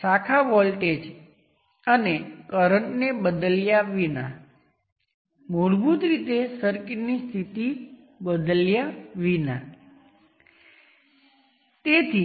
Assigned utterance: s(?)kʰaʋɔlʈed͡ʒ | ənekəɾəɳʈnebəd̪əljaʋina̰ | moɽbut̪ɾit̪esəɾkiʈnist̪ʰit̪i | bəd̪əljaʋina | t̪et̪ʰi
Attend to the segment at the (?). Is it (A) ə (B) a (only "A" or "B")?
B